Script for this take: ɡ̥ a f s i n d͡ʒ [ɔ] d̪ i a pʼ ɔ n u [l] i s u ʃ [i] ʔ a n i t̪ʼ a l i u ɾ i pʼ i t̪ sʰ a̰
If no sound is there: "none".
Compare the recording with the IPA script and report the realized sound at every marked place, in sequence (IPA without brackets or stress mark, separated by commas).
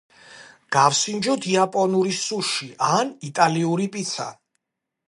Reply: ɔ, ɾ, i